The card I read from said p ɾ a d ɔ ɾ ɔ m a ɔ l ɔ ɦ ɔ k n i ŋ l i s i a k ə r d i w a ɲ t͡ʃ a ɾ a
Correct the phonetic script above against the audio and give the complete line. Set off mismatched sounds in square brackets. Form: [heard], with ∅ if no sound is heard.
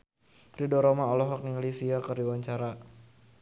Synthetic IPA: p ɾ [i] d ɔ ɾ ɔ m a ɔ l ɔ ɦ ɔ k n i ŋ l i s i a k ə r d i w a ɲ t͡ʃ a ɾ a